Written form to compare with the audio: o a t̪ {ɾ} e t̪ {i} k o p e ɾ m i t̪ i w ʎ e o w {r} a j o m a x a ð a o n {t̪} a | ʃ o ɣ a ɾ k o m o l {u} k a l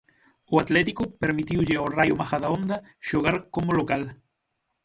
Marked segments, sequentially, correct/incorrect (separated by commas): incorrect, correct, correct, incorrect, incorrect